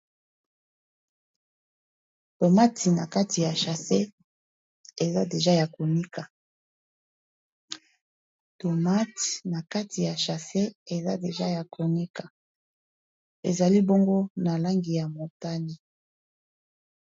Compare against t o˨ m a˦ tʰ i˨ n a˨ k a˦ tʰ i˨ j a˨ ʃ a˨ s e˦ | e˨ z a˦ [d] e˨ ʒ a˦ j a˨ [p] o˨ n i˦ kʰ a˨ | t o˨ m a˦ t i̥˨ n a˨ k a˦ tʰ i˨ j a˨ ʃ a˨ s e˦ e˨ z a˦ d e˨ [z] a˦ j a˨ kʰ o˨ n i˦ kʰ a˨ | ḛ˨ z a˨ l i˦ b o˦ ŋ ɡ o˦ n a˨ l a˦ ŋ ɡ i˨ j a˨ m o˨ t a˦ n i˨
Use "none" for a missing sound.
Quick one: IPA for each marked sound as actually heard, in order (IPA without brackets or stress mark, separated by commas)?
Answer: d, k, ʒ